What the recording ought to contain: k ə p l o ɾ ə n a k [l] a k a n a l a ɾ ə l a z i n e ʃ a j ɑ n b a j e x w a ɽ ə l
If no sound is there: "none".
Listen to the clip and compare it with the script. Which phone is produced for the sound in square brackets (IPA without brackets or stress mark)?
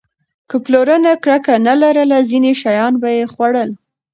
ɽ